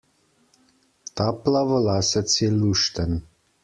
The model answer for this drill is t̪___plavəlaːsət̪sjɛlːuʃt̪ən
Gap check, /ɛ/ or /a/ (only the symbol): a